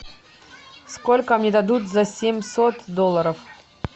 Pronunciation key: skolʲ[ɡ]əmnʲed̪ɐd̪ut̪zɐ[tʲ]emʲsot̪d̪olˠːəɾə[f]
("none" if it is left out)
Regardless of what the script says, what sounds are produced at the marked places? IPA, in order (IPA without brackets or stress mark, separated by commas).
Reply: k, sʲ, f